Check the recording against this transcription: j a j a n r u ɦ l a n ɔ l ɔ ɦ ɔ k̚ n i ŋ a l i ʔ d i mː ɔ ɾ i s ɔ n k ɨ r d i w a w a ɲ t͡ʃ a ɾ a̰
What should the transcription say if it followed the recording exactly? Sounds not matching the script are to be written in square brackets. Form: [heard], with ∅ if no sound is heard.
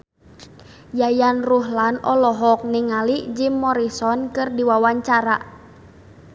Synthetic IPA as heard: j a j a n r u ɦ l a n ɔ l ɔ ɦ ɔ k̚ n i ŋ a l i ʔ [d͡ʒ] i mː ɔ ɾ i s ɔ n k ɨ r d i w a w a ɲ t͡ʃ a ɾ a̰